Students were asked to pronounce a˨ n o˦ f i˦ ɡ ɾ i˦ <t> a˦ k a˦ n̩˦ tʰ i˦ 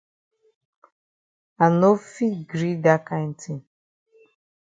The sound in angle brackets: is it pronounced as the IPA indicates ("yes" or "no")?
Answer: no